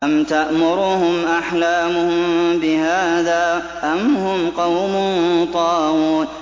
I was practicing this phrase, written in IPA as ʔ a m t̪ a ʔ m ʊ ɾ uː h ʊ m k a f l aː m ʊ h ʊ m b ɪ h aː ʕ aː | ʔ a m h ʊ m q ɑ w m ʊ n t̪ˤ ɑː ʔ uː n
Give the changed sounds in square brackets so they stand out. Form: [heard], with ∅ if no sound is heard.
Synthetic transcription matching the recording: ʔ a m t̪ a ʔ m ʊ ɾ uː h ʊ m [ʔ] a [ħ] l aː m ʊ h ʊ m b ɪ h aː [ð] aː | ʔ a m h ʊ m q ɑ w m ʊ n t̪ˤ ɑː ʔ uː n

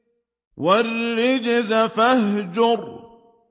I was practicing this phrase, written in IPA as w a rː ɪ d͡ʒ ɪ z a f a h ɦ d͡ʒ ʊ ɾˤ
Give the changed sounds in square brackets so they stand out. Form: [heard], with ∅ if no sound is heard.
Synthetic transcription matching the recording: w a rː ɪ d͡ʒ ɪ z a f a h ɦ d͡ʒ ʊ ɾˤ

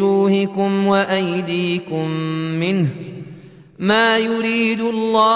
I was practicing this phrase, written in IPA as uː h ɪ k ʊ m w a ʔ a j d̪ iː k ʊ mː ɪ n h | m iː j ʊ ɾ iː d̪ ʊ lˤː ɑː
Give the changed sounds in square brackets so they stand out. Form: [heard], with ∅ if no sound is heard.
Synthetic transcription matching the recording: uː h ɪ k ʊ m w a ʔ a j d̪ iː k ʊ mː ɪ n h | m [aː] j ʊ ɾ iː d̪ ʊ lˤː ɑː

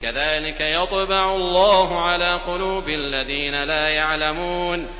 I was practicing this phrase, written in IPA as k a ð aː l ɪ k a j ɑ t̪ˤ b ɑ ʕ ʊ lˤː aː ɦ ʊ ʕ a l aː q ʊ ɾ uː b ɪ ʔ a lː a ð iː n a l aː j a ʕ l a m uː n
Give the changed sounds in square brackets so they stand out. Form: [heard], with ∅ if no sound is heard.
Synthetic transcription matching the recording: k a ð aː l ɪ k a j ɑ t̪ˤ b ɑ ʕ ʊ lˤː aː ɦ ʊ ʕ a l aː q ʊ [l] uː b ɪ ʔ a lː a ð iː n a l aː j a ʕ l a m uː n

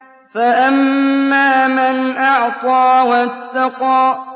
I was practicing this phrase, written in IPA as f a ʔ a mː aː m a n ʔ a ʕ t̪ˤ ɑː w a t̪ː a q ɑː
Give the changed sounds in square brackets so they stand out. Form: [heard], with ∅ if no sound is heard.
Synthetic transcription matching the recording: f a ʔ a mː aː m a n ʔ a ʕ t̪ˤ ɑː w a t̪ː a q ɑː

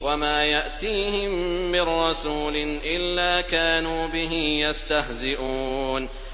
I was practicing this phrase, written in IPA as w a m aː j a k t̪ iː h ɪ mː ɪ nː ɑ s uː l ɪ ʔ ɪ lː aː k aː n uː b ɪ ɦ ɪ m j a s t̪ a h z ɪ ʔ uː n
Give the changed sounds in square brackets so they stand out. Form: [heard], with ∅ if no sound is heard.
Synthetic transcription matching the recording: w a m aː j a [ʔ] t̪ iː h ɪ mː ɪ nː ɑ s uː l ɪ ʔ ɪ lː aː k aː n uː b ɪ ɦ ɪ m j a s t̪ a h z ɪ ʔ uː n

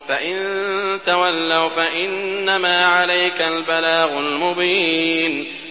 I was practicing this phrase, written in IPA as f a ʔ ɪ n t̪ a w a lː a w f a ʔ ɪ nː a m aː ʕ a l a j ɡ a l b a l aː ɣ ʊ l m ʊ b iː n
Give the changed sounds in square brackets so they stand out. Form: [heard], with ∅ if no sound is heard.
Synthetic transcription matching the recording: f a ʔ ɪ n t̪ a w a lː a w f a ʔ ɪ nː a m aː ʕ a l a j [k] a l b a l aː ɣ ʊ l m ʊ b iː n

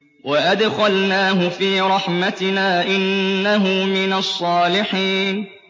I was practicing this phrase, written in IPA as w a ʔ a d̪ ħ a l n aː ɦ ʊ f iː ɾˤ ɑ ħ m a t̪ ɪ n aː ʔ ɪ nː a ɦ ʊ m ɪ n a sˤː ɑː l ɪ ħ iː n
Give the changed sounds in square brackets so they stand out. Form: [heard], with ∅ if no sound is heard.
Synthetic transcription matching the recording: w a ʔ a d̪ [x] a l n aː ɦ ʊ f iː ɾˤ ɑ ħ m a t̪ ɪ n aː ʔ ɪ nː a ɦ ʊ m ɪ n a sˤː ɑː l ɪ ħ iː n

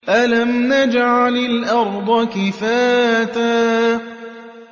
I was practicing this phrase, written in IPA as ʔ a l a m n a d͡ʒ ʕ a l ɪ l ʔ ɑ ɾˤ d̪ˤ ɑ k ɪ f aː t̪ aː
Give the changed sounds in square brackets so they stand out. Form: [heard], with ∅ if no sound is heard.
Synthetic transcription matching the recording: ʔ a l a m n a d͡ʒ ʕ a l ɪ l ʔ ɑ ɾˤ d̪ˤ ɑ k ɪ f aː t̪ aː

